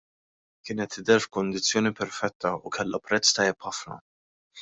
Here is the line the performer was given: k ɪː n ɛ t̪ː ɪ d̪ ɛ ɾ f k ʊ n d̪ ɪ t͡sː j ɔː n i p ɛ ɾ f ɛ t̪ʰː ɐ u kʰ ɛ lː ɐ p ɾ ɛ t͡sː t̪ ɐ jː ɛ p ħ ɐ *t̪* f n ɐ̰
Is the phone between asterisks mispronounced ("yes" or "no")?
yes